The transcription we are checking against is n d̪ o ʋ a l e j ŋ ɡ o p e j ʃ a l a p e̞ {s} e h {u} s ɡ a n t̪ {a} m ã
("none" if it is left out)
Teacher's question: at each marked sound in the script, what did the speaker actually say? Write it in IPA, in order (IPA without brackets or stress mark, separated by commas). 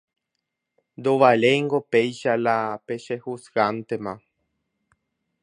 ʃ, u, e